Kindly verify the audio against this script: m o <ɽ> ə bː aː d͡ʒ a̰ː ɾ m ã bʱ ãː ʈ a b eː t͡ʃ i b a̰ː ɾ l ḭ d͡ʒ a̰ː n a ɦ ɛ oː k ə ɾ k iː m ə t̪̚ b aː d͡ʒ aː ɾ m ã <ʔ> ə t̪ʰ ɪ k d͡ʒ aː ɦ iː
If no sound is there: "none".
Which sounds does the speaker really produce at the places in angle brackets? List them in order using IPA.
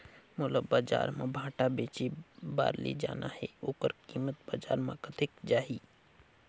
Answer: l, k

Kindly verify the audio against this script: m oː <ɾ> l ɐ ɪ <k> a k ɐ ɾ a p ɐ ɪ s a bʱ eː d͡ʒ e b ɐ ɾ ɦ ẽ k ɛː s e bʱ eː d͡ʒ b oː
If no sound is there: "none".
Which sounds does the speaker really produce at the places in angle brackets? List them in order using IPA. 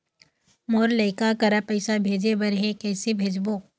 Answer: ɾ, k

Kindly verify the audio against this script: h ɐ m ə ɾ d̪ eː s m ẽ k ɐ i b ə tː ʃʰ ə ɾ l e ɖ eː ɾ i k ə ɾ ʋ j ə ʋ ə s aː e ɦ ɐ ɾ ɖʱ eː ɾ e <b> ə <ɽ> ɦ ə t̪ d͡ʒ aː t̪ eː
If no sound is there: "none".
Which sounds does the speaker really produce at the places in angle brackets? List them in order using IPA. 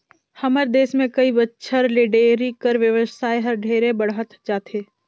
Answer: b, ɽ

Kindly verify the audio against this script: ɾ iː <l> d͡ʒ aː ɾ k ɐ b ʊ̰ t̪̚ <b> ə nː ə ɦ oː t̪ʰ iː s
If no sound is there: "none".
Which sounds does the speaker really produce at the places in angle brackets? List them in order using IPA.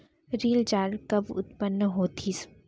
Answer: l, p

